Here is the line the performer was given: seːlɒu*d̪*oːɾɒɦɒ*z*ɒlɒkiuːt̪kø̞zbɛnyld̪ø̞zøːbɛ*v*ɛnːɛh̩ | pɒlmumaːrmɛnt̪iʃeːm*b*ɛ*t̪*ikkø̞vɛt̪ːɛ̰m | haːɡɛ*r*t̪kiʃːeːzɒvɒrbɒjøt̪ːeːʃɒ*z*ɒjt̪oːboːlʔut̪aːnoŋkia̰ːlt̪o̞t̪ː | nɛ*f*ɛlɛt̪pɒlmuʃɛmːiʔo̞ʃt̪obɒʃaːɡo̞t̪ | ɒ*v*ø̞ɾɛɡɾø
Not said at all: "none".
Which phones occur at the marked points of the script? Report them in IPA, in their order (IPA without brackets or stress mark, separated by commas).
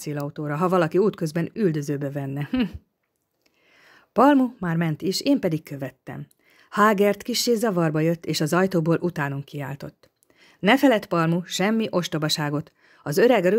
t̪, v, v, p, d̪, r, z, f, z